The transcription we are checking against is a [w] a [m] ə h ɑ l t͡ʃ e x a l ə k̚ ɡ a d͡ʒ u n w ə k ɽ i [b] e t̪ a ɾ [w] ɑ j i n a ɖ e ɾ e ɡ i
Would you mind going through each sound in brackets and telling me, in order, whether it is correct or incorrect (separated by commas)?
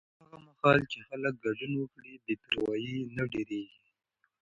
incorrect, correct, correct, correct